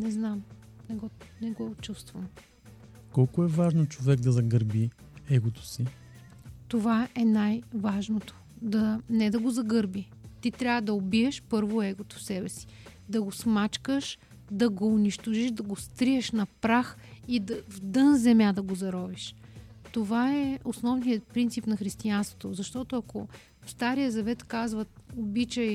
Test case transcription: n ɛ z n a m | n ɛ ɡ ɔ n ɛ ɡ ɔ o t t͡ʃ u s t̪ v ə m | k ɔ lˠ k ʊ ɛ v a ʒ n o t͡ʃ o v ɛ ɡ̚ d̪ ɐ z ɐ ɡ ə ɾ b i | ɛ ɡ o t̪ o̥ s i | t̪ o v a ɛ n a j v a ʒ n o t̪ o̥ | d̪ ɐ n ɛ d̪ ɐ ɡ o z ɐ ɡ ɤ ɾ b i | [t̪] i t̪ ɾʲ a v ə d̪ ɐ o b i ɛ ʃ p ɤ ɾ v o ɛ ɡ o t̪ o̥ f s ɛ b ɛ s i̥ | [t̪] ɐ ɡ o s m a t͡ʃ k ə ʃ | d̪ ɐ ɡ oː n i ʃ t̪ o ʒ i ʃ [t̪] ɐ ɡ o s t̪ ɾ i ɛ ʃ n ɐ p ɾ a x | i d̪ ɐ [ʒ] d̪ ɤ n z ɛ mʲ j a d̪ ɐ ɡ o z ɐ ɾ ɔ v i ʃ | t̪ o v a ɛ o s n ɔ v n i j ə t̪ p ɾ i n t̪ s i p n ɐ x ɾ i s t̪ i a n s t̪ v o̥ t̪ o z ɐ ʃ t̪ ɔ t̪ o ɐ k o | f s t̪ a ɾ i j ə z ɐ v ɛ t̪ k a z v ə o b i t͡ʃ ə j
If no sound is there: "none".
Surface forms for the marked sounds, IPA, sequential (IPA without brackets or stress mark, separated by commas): t̪, d̪, d̪, v